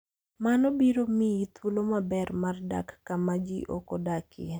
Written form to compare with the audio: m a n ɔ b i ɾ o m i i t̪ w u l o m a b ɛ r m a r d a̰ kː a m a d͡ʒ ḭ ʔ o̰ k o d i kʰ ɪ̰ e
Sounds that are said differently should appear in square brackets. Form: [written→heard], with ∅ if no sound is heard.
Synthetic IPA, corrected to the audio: m a n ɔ b i ɾ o m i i t̪ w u l o m a b ɛ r m a r d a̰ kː a m a d͡ʒ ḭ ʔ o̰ k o d [i→a] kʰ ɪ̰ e